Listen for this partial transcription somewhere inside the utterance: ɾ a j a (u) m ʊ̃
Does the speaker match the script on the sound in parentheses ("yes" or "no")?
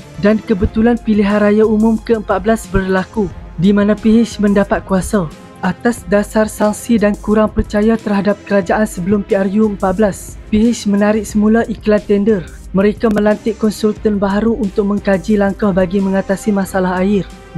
yes